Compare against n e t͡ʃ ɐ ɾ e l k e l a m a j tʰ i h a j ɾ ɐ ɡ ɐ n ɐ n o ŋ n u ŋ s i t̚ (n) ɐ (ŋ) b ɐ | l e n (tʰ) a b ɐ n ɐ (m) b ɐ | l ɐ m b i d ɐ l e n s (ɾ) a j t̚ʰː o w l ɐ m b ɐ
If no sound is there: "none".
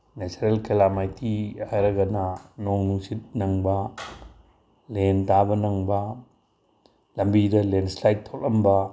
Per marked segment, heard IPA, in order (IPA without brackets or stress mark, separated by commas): n, ŋ, t, ŋ, l